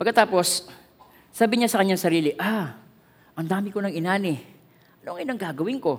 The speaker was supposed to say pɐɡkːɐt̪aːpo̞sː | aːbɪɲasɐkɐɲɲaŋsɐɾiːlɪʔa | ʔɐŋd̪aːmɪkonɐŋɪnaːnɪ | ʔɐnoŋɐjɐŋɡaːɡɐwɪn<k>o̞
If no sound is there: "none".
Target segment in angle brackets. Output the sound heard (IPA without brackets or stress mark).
k